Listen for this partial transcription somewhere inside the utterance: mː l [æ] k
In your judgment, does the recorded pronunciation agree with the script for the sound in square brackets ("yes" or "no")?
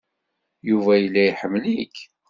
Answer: no